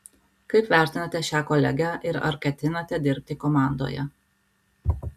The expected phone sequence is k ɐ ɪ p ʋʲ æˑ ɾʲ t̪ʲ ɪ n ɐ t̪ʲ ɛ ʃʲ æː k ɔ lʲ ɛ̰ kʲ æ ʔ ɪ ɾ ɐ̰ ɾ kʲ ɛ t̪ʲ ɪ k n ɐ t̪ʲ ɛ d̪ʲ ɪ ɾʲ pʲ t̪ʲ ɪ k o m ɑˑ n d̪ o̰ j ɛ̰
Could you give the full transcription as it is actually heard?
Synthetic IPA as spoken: k ɐ ɪ p ʋʲ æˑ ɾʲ t̪ʲ ɪ n ɐ t̪ʲ ɛ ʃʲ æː k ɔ lʲ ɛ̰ ɡʲ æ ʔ ɪ ɾ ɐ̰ ɾ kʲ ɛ t̪ʲ ɪ n ɐ t̪ʲ ɛ d̪ʲ ɪ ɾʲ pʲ t̪ʲ ɪ k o m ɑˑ n d̪ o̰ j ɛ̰